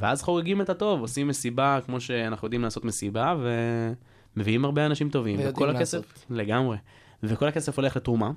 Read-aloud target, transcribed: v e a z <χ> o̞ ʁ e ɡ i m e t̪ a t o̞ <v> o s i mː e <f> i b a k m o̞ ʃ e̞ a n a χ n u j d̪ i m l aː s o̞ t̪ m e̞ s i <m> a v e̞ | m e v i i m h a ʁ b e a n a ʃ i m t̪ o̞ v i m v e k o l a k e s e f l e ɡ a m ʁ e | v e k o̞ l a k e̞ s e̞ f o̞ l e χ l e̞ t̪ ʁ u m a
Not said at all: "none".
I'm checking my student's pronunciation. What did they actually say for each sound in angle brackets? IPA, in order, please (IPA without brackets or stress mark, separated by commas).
χ, v, s, b